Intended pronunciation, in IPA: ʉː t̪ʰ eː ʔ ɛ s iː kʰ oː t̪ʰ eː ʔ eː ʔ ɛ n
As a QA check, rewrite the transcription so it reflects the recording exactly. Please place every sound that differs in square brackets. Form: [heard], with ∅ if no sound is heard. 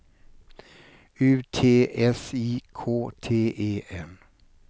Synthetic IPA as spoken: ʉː t̪ʰ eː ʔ ɛ s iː kʰ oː t̪ʰ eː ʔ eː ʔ ɛ n